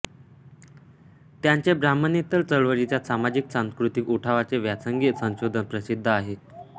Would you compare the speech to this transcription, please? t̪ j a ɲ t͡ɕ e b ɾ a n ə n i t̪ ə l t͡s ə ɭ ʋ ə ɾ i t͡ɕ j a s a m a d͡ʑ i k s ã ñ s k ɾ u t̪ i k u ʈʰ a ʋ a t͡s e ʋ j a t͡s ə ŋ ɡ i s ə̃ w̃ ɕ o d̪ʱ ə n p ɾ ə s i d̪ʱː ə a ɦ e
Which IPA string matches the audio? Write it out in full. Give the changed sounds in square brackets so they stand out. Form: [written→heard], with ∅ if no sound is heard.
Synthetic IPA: t̪ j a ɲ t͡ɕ e b ɾ a [n→m] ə n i t̪ ə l t͡s ə ɭ ʋ ə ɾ i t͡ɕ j a s a m a d͡ʑ i k s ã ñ s k ɾ u t̪ i k u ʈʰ a ʋ a t͡s e ʋ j a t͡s ə ŋ ɡ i s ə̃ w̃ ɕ o d̪ʱ ə n p ɾ ə s i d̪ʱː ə a ɦ e